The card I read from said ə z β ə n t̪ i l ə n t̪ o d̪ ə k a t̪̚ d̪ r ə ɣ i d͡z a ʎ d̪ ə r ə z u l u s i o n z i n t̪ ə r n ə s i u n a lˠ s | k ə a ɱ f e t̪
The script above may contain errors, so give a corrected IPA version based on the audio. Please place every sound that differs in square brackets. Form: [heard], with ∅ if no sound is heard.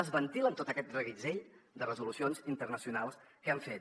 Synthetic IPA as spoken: ə z β ə n t̪ i l ə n t̪ o [t̪] ə k [ɛ] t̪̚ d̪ r ə ɣ i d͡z [e] ʎ d̪ ə r ə z u l u s i o n z i n t̪ ə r n ə s i u n a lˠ s | k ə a ɱ f e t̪